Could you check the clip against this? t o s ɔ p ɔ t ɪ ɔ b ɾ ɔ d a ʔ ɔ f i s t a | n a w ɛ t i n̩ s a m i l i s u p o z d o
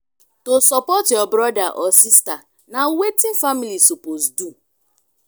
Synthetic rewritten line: t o s ɔ p ɔ t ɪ ɔ b ɾ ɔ d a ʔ ɔ s i s t a | n a w e t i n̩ f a m i l i s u p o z d u